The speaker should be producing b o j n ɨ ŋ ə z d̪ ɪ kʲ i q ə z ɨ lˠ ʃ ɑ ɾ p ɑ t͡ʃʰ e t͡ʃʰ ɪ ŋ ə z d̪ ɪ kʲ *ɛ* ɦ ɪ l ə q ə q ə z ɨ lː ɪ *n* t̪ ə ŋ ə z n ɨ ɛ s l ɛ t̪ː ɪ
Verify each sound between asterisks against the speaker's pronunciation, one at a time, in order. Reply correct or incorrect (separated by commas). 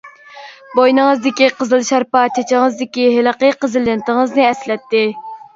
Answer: incorrect, correct